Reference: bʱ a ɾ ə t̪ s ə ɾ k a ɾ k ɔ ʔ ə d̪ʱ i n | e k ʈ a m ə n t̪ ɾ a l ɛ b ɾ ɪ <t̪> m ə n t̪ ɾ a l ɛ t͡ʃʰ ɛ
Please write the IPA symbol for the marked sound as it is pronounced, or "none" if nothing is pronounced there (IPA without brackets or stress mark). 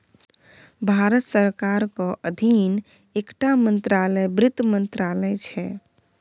t̪